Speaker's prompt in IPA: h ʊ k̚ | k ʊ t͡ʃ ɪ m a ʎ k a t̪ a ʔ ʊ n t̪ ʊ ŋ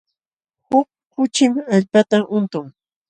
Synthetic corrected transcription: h ʊ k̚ | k ʊ t͡ʃ ɪ m a ʎ p a t̪ a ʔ ʊ n t̪ ʊ ŋ